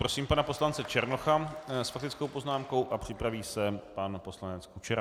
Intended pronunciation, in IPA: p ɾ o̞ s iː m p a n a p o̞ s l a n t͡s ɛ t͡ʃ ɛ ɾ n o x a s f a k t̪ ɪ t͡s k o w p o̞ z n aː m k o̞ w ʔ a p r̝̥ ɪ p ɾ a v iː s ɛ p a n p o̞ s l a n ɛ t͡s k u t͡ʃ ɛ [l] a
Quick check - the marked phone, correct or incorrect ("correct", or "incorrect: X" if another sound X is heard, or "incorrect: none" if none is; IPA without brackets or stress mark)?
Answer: incorrect: ɾ